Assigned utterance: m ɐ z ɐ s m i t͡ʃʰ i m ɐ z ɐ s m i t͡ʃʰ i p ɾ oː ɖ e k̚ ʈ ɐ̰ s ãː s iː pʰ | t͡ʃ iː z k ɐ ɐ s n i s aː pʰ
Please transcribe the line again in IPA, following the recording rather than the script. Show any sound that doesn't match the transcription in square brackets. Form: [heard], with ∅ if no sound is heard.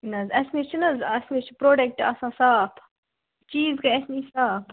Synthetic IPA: [n] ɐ z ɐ s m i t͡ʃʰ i [n] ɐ z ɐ s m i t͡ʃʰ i p ɾ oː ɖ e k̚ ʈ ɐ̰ s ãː s [aː] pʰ | t͡ʃ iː z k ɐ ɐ s n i s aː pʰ